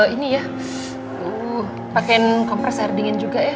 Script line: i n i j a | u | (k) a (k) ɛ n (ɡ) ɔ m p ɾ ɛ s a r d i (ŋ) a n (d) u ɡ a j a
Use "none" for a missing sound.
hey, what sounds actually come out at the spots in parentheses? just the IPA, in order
p, k, k, ŋ, d͡ʒ

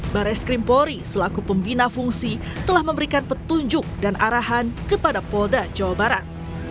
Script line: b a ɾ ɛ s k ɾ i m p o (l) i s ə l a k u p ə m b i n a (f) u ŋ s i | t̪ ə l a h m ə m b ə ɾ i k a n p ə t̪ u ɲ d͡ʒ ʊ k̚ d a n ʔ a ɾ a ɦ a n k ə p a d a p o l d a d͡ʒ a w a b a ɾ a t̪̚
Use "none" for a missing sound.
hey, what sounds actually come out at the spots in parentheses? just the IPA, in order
ɾ, f

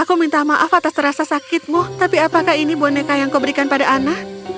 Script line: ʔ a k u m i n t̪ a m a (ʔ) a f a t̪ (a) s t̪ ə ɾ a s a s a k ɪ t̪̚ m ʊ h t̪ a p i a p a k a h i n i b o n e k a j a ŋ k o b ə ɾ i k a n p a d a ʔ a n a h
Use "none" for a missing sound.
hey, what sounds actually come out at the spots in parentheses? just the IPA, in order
ʔ, a

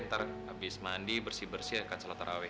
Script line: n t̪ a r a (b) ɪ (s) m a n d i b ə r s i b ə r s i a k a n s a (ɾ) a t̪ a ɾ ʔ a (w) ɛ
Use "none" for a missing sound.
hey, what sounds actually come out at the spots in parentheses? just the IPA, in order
b, s, l, w

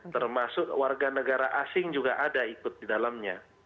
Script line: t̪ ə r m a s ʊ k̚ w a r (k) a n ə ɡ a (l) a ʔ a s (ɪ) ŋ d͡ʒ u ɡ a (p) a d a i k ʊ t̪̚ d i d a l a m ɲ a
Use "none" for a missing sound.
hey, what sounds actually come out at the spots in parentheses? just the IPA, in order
ɡ, ɾ, ɪ, ʔ

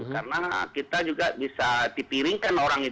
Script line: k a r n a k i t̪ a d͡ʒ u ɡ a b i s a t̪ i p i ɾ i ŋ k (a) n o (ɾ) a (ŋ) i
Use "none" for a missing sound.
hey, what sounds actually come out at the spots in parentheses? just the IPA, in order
a, ɾ, ŋ

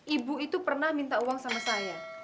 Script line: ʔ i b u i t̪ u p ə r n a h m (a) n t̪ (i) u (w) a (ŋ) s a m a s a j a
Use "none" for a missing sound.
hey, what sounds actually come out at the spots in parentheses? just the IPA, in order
i, a, w, ŋ

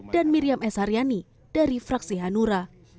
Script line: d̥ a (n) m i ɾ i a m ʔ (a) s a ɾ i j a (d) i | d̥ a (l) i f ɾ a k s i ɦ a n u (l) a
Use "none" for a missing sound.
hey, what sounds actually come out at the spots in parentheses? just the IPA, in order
n, ɛ, n, ɾ, ɾ

